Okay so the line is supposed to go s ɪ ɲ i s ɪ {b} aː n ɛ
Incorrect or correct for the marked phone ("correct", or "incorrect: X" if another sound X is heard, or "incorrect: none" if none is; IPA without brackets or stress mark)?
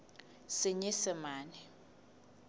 incorrect: m